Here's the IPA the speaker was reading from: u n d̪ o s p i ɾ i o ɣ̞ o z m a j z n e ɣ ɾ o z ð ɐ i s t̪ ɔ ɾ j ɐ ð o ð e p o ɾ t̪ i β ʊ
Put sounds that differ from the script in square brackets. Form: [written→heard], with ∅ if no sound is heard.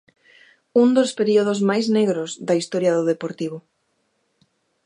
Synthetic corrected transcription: u n d̪ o s p [i→e] ɾ i o [ɣ̞→ð̞] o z m a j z n e ɣ ɾ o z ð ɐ i s t̪ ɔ ɾ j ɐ ð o ð e p o ɾ t̪ i β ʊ